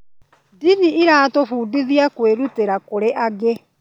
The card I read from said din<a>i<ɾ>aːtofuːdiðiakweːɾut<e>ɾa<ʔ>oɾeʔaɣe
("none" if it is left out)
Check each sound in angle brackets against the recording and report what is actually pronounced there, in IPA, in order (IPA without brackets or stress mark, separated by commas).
i, ɾ, e, k